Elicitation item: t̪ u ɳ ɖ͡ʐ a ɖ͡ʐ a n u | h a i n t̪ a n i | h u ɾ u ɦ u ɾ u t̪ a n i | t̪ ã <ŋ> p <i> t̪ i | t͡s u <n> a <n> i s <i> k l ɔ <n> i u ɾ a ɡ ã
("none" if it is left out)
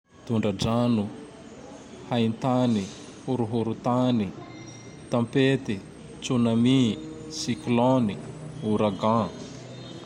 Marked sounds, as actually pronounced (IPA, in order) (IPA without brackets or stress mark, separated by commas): m, e, n, m, i, n